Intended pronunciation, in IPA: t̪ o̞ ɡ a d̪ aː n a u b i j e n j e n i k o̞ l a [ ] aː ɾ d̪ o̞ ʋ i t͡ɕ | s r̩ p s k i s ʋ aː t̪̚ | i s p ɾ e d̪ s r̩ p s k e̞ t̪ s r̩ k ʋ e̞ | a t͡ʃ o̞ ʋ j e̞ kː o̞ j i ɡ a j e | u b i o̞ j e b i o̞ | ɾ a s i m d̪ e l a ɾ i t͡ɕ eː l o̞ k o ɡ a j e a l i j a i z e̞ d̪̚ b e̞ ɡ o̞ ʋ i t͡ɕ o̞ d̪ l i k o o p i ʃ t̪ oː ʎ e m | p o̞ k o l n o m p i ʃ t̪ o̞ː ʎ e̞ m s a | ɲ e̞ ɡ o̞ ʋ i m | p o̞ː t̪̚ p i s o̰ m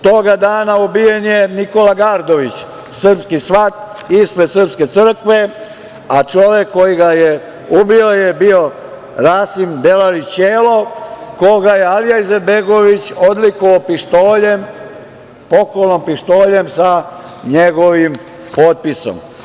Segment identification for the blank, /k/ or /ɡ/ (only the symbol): ɡ